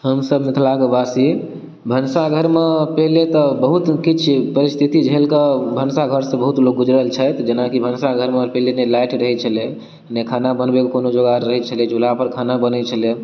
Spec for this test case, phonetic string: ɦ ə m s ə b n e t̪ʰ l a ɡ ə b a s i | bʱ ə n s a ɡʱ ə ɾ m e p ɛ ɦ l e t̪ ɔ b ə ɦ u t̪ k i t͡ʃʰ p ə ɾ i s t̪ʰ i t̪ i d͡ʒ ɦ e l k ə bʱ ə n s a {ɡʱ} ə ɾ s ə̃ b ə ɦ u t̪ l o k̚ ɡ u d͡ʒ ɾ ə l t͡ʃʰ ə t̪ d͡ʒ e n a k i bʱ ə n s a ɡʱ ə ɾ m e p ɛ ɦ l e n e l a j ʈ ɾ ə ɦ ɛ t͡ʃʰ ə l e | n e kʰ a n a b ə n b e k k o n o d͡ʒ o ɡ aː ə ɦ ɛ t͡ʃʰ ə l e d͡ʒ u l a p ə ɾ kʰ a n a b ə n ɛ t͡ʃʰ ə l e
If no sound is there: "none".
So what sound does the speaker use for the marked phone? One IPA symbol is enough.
ɡʱ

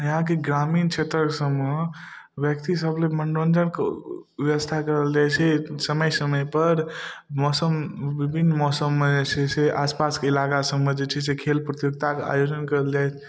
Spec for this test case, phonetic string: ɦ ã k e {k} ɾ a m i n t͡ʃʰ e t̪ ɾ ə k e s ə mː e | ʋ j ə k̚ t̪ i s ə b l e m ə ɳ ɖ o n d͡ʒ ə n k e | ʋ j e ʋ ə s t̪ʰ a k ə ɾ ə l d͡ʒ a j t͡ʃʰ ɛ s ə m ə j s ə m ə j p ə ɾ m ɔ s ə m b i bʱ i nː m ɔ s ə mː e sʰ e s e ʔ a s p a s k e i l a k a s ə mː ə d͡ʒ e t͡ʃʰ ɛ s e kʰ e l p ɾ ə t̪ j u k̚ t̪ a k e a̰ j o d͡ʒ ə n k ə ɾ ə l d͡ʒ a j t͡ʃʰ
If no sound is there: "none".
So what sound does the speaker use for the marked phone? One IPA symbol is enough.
ɡ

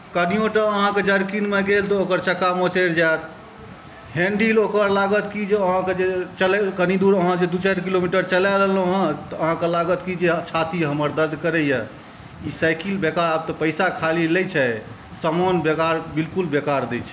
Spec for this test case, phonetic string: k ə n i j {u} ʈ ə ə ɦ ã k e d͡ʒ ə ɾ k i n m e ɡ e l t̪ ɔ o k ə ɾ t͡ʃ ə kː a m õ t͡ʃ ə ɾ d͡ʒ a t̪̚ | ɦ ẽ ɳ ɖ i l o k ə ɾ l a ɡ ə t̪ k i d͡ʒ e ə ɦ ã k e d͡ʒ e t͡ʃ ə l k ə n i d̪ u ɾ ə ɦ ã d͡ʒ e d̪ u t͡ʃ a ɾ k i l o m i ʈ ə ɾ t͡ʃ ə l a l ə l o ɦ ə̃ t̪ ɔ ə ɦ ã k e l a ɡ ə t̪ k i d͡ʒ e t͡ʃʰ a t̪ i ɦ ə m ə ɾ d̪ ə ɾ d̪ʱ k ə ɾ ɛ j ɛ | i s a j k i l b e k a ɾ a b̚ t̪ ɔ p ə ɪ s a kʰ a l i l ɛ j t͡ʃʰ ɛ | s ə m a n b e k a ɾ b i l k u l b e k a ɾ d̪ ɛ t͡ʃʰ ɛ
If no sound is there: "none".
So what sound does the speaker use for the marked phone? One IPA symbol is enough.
o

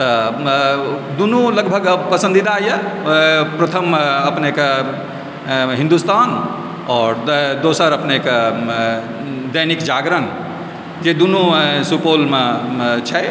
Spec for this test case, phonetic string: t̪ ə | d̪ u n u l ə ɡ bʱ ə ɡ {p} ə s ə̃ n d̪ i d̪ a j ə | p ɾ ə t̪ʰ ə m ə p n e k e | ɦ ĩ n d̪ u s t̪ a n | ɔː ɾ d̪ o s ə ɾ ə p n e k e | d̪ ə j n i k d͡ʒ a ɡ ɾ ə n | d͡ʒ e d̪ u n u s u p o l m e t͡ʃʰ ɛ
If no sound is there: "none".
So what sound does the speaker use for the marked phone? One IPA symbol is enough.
p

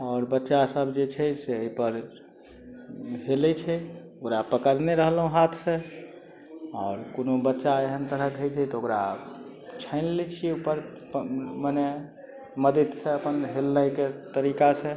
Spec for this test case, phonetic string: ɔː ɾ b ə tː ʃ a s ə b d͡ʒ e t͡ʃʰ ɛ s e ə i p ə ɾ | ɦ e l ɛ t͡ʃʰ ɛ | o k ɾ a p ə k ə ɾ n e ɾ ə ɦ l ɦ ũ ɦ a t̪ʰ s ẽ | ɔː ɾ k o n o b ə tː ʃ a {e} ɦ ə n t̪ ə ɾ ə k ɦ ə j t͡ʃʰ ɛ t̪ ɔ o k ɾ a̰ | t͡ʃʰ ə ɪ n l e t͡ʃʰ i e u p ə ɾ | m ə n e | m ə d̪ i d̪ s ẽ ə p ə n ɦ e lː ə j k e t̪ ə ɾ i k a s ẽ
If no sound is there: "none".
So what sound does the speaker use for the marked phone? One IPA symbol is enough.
e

